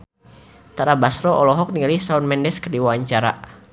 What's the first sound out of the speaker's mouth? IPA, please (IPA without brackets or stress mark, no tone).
t̪